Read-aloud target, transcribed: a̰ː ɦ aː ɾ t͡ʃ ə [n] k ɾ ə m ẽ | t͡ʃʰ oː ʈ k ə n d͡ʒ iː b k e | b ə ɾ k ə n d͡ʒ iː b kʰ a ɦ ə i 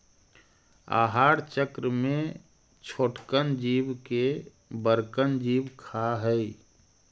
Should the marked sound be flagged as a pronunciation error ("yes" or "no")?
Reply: yes